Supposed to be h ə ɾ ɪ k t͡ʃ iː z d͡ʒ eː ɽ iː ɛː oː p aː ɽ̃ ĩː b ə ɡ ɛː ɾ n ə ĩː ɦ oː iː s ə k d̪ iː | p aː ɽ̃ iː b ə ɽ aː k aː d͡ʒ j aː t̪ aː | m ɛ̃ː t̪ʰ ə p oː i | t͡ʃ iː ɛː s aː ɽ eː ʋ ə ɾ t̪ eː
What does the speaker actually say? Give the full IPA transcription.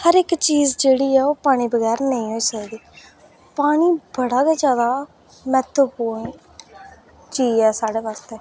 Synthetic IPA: h ə ɾ ɪ k t͡ʃ iː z d͡ʒ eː ɽ iː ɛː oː p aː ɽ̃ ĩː b ə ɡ ɛː ɾ n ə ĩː ɦ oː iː s ə k d̪ iː | p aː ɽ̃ iː b ə ɽ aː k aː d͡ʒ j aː d̪ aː | m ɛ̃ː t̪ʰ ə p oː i | t͡ʃ iː ɛː s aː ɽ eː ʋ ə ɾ t̪ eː